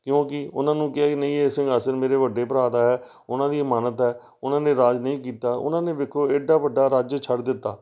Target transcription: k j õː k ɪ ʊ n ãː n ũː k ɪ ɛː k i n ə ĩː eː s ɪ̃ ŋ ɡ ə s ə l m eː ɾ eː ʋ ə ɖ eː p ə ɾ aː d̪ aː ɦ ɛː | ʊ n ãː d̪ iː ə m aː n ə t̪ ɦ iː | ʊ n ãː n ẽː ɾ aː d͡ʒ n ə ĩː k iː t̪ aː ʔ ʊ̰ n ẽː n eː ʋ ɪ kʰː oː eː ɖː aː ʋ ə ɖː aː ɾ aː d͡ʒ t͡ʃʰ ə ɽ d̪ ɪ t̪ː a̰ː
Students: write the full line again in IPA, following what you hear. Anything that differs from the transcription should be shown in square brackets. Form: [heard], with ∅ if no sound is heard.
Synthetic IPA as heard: k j õː k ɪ ʊ n ãː n ũː k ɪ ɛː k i n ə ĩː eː s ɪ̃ ŋ ɡ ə s ə [ɾ] m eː ɾ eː ʋ ə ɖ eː p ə ɾ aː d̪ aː ɦ ɛː | ʊ n ãː d̪ iː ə m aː n ə t̪ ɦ [ɛː] | ʊ n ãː n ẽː ɾ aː d͡ʒ n ə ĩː k iː t̪ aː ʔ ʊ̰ n [ãː] n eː ʋ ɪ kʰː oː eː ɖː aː ʋ ə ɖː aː ɾ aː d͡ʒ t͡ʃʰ ə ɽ d̪ ɪ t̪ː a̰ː